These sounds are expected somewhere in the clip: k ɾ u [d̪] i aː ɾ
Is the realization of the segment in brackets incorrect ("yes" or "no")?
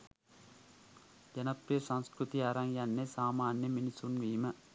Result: yes